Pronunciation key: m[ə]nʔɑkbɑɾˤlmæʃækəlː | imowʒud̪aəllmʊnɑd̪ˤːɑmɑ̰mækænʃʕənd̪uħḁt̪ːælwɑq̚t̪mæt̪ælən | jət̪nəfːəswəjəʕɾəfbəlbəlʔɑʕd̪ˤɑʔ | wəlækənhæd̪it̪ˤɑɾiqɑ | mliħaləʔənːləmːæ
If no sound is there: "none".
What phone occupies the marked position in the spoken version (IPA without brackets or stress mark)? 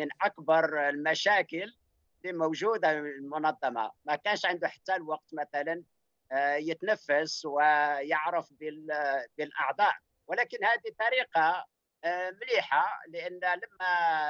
ə